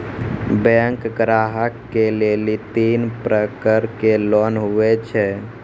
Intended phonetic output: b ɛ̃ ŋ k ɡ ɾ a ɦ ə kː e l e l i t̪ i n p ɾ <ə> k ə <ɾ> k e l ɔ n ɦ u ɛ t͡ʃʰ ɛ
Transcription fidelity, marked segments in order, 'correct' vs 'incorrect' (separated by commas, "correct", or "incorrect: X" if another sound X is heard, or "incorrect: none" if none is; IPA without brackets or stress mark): correct, correct